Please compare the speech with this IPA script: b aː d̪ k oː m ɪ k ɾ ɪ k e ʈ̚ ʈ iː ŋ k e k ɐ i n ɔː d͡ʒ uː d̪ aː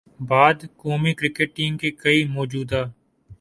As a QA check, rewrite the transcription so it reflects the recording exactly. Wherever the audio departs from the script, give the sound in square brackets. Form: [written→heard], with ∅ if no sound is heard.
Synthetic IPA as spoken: b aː d̪ k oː m [ɪ→i] k ɾ ɪ k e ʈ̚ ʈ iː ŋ k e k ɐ i [n→m] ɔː d͡ʒ uː d̪ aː